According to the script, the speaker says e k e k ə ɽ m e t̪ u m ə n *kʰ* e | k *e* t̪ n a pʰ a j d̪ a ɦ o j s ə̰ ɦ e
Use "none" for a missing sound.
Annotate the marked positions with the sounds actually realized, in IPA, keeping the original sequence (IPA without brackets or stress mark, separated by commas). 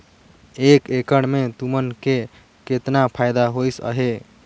k, e